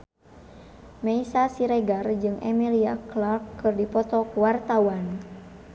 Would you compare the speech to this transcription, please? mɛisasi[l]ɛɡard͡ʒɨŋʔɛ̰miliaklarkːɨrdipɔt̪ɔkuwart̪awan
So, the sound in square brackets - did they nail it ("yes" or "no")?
no